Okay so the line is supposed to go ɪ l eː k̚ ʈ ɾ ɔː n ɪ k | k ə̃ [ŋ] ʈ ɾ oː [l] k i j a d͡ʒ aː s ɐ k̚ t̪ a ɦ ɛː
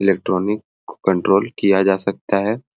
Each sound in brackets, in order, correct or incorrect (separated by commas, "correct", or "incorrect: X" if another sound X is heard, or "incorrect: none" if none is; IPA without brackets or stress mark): incorrect: ɳ, correct